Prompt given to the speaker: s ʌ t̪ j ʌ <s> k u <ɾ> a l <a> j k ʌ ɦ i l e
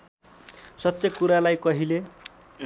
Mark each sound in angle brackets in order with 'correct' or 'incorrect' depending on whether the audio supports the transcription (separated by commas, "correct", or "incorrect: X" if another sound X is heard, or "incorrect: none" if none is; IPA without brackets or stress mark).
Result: incorrect: none, correct, correct